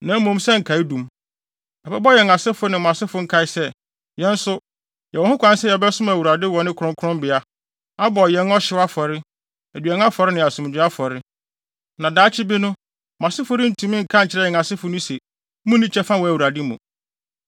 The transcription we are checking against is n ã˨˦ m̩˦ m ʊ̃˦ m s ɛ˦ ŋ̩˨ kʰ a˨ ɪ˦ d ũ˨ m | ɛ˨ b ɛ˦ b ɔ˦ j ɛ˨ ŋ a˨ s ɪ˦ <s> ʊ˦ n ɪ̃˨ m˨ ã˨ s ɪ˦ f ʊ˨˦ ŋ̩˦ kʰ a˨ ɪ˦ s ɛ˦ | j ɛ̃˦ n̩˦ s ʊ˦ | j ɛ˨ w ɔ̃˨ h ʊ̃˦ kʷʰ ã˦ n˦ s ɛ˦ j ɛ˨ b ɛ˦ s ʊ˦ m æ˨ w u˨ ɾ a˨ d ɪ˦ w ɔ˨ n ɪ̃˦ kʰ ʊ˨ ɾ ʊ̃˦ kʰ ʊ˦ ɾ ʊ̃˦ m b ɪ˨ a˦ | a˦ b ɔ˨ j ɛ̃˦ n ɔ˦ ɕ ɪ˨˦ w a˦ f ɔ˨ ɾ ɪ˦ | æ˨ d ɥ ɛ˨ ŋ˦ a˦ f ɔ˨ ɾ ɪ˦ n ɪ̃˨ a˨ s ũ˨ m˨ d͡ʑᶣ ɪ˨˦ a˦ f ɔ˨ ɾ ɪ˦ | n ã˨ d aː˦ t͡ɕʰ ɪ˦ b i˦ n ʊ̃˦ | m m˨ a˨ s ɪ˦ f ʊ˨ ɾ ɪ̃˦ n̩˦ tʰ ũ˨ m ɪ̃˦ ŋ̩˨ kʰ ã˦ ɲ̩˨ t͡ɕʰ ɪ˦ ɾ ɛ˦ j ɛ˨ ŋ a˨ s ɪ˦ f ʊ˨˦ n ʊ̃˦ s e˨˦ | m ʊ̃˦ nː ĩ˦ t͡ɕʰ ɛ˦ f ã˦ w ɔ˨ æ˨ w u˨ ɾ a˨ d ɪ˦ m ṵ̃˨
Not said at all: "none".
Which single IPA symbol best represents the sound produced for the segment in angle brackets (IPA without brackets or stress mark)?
f